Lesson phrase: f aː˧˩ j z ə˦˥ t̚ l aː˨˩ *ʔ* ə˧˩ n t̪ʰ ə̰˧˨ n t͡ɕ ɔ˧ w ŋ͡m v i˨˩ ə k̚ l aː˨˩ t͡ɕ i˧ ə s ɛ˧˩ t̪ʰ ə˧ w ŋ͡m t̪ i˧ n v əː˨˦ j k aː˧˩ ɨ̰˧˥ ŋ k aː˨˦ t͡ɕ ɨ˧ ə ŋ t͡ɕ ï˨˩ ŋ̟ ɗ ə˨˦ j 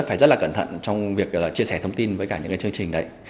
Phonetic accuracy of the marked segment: incorrect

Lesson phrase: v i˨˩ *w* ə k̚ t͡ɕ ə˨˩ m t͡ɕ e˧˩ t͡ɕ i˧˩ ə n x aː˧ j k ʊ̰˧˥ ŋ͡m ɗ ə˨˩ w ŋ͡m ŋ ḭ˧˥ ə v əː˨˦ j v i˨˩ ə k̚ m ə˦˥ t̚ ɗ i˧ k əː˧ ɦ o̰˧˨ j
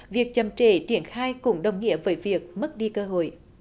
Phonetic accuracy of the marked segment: incorrect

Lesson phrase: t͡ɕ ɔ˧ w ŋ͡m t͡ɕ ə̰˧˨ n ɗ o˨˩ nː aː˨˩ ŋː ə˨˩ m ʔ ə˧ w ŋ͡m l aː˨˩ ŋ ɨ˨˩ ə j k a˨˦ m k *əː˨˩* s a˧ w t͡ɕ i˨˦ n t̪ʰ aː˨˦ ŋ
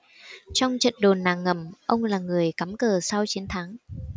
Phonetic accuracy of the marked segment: correct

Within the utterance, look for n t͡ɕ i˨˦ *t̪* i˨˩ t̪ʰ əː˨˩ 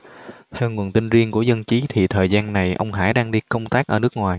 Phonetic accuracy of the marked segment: incorrect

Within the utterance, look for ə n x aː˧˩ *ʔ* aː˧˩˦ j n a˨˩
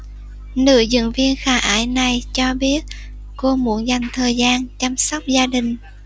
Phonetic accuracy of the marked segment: correct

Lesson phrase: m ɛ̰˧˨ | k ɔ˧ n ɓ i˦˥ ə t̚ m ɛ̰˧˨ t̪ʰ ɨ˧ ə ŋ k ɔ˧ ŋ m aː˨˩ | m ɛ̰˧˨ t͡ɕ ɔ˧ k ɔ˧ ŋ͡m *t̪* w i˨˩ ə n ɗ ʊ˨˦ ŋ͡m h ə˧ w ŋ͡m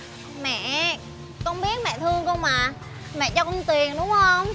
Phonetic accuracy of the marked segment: correct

